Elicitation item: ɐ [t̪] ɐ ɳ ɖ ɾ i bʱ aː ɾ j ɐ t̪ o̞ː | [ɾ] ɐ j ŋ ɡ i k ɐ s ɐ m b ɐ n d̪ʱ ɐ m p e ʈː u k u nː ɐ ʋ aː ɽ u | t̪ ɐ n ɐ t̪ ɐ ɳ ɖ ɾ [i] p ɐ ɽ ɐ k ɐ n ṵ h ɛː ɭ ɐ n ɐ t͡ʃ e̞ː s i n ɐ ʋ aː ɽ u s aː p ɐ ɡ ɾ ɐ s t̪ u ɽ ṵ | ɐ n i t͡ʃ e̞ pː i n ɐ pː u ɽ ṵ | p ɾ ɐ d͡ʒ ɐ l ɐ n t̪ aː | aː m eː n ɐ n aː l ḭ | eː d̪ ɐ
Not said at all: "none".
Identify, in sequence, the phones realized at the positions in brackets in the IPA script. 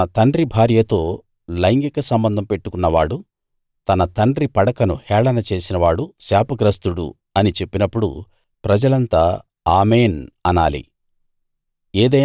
t̪, l, i

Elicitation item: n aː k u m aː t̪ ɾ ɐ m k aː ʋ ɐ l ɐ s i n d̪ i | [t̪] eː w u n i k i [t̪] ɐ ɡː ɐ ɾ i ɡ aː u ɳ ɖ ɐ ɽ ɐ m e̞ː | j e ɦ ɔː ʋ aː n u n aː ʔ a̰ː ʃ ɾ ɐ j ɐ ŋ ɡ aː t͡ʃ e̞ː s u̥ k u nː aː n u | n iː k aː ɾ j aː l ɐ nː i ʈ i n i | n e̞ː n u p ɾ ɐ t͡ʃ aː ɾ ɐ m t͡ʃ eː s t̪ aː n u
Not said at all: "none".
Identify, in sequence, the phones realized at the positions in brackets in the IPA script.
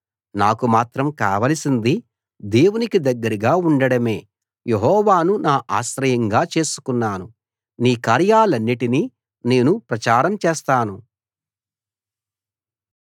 d̪, d̪

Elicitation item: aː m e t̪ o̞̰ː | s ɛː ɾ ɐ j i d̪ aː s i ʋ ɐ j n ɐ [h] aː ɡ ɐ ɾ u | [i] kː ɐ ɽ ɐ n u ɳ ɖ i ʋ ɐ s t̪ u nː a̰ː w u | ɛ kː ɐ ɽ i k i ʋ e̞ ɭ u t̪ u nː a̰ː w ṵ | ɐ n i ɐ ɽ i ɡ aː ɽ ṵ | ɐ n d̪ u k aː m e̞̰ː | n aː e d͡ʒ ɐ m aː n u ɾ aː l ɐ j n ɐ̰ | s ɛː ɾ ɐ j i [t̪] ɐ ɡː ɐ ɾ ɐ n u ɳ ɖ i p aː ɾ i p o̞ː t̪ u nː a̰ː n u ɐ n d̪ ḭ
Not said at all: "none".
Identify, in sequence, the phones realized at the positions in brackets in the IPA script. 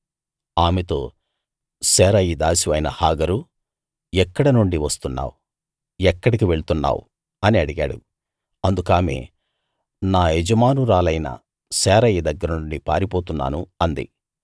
h, ɛ, d̪

